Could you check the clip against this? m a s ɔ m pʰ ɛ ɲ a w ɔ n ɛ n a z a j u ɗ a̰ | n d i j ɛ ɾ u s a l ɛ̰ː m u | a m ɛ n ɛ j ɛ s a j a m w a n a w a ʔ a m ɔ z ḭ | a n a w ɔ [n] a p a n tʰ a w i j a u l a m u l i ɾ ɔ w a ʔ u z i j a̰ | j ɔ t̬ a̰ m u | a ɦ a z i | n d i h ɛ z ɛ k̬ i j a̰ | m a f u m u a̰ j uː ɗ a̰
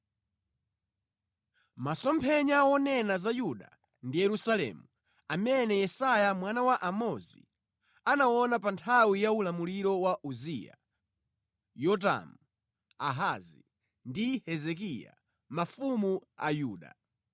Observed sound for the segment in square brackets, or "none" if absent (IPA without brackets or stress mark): n